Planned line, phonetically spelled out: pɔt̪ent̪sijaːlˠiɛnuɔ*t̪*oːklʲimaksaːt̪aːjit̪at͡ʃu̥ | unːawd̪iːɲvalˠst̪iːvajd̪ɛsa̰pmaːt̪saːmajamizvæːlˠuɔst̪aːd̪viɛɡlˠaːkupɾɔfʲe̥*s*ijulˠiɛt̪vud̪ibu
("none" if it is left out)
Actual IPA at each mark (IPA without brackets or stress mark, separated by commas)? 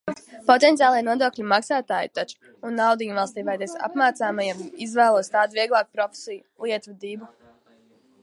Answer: d̪, s